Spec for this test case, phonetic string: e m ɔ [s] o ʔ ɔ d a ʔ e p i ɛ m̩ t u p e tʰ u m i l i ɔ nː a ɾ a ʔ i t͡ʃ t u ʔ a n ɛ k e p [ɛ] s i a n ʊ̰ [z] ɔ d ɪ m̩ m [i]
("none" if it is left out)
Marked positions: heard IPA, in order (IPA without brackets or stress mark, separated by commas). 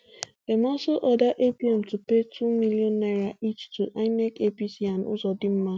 s, i, z, a